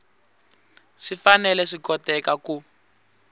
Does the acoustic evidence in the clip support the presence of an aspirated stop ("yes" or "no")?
no